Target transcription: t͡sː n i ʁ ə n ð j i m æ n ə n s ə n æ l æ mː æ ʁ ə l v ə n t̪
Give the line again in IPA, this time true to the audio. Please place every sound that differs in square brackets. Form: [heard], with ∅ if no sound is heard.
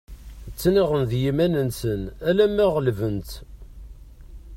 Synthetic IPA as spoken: t͡sː n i ʁ ə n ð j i m æ n ə n s ə n æ l æ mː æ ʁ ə l v ə n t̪